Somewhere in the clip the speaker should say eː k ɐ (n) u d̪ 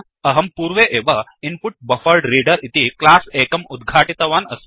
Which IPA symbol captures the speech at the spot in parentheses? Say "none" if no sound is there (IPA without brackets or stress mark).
m